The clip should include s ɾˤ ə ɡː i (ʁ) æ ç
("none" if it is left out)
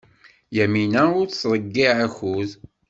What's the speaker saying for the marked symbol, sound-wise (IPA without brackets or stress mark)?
ʕ